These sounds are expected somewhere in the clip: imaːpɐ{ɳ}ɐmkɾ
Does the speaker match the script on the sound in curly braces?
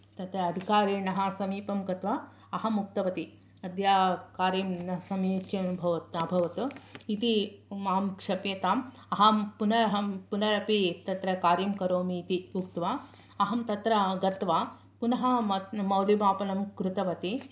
no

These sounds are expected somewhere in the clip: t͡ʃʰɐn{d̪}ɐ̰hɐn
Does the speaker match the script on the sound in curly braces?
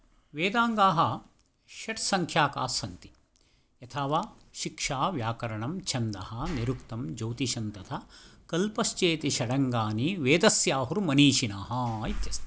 yes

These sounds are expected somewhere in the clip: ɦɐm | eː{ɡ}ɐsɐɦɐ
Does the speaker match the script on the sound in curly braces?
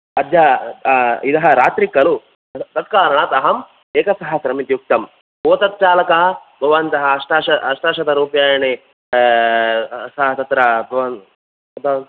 no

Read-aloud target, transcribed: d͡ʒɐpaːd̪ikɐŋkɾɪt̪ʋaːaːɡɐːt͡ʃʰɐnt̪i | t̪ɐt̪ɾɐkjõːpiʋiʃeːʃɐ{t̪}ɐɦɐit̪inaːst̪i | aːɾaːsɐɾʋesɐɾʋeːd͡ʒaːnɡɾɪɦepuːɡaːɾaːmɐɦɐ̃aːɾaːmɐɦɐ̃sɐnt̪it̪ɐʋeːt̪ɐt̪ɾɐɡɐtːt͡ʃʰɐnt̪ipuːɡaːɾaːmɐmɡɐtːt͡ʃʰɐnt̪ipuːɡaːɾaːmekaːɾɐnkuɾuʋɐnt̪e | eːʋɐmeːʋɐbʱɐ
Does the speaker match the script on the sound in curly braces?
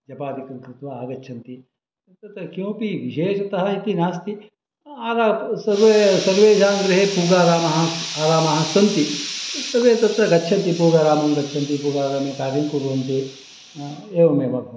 yes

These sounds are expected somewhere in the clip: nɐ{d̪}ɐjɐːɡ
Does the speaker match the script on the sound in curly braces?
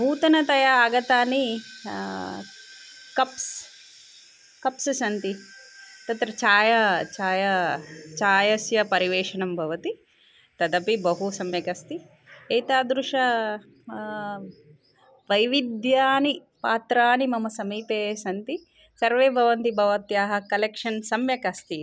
no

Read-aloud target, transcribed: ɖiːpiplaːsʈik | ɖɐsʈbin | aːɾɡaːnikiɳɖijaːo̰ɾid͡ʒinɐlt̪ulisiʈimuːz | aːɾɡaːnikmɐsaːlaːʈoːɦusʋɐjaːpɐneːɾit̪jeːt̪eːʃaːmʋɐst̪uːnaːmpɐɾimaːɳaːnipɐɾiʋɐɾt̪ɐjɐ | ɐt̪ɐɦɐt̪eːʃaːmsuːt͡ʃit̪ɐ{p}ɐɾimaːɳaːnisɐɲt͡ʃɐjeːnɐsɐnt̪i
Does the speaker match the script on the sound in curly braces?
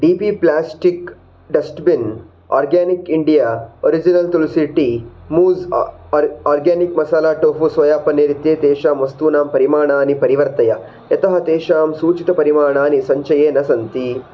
yes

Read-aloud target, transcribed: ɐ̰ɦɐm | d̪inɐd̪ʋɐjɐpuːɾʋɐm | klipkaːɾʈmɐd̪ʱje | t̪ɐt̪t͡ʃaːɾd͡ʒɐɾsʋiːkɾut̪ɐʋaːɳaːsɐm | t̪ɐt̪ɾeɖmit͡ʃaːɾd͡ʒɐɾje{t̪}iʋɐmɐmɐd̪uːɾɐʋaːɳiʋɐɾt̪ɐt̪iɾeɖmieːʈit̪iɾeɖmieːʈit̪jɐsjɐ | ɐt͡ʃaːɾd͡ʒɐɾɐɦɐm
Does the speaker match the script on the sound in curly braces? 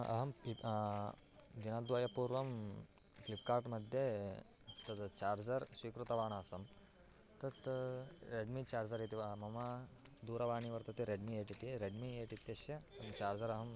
yes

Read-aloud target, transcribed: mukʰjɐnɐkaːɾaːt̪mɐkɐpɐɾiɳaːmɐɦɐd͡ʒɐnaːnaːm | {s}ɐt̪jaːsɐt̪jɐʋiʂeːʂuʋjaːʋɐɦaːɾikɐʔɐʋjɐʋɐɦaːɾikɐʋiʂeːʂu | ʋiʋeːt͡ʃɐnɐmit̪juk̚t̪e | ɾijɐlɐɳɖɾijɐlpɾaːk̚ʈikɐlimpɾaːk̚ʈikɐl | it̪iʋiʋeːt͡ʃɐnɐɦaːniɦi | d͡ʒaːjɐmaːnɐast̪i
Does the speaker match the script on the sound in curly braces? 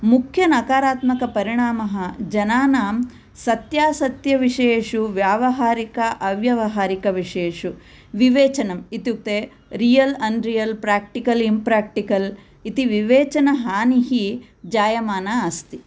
yes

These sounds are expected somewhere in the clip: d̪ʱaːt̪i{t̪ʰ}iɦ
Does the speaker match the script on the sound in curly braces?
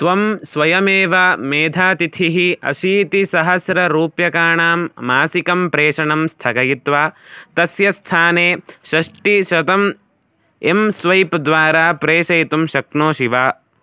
yes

